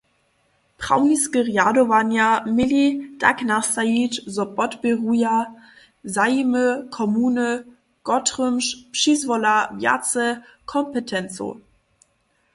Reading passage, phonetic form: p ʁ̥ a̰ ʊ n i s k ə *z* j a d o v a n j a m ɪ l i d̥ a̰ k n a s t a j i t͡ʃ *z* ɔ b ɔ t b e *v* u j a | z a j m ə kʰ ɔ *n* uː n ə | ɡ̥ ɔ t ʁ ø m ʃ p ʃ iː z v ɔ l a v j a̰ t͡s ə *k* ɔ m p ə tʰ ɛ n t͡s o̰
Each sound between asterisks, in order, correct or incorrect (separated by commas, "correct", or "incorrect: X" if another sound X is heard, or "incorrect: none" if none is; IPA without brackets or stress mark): incorrect: ʁ, correct, incorrect: ʁ, incorrect: m, incorrect: kʰ